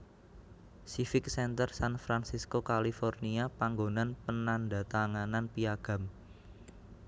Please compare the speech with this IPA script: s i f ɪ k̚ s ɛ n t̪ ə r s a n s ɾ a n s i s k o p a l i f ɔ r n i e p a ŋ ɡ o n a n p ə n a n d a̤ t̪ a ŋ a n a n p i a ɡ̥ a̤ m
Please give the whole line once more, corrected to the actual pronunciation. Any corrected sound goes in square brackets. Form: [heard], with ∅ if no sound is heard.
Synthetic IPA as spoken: s i f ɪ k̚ s ɛ n t̪ ə r s a n [f] ɾ a n s i s k o [k] a l i f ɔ r n i [a] p a ŋ ɡ o n a n p ə n a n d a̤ t̪ a ŋ a n a n p i a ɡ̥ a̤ m